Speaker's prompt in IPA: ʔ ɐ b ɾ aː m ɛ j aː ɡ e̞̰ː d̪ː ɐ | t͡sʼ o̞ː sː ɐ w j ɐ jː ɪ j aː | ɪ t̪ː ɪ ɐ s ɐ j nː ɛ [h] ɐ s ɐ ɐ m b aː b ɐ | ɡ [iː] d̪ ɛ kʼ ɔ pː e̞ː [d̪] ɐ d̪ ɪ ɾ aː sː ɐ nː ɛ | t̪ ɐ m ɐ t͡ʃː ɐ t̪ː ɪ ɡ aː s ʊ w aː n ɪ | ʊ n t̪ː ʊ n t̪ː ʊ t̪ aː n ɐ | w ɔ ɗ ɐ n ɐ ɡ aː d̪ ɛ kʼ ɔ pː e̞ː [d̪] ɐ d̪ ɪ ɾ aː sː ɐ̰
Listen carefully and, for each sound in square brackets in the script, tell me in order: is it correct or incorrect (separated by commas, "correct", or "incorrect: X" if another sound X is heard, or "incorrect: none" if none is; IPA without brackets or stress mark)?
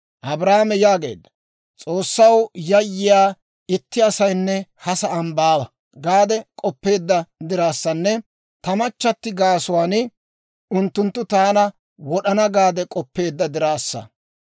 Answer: correct, incorrect: aː, incorrect: d̪ː, incorrect: d̪ː